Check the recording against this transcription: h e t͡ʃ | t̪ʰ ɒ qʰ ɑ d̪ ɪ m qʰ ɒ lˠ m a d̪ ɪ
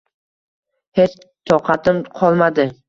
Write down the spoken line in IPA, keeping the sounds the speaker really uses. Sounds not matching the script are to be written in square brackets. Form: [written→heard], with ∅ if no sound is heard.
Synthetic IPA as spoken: h e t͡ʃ | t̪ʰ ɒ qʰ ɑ [d̪→t̪] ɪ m qʰ ɒ lˠ m a d̪ ɪ